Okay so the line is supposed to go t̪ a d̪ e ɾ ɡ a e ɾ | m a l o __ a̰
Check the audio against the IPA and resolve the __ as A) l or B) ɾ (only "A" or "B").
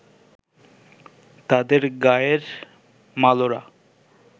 B